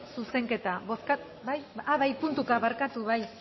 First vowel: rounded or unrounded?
rounded